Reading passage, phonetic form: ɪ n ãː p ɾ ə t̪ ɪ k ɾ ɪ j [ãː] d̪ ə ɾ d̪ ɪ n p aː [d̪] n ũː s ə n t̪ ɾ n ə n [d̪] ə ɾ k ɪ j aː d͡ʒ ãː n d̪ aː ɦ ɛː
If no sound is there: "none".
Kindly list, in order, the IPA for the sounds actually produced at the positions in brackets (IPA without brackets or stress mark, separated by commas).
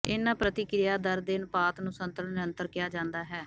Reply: aː, t̪, t̪